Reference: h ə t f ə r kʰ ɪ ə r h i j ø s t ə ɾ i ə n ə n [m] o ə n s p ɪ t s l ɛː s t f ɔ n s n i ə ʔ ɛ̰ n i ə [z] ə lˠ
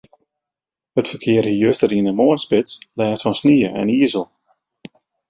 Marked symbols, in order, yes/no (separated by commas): yes, yes